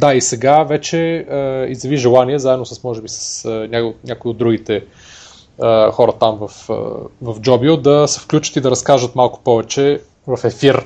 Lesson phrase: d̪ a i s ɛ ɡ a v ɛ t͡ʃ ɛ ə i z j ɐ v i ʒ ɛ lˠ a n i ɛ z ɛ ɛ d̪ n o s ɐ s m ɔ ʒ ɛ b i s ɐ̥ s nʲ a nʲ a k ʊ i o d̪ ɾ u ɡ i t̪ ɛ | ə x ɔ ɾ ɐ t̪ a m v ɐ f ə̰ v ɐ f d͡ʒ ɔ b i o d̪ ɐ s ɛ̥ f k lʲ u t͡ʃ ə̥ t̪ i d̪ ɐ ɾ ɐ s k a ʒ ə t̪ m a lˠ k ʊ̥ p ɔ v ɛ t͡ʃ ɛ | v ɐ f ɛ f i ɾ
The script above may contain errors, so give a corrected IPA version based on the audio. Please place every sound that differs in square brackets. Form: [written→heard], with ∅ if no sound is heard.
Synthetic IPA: d̪ a i s ɛ ɡ a v ɛ t͡ʃ ɛ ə i z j ɐ v i ʒ ɛ lˠ a n i ɛ z [ɛ→a] ɛ d̪ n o s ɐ s m ɔ ʒ ɛ b i s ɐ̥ s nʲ a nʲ a k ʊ i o d̪ ɾ u ɡ i t̪ ɛ | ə x ɔ ɾ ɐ t̪ a m v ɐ f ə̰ v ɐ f d͡ʒ ɔ b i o d̪ ɐ s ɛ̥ f k lʲ u t͡ʃ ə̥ t̪ i d̪ ɐ ɾ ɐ s k a ʒ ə t̪ m a lˠ k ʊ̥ p ɔ v ɛ t͡ʃ ɛ | v ɐ f ɛ f i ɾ